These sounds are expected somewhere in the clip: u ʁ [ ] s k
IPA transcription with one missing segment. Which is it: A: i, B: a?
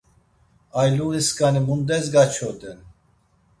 A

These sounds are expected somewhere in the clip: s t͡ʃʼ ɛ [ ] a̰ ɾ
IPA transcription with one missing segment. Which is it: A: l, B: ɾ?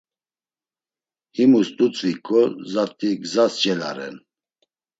A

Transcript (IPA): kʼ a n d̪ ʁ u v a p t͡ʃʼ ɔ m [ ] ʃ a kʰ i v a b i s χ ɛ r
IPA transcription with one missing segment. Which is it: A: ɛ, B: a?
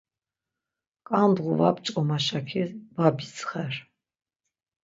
B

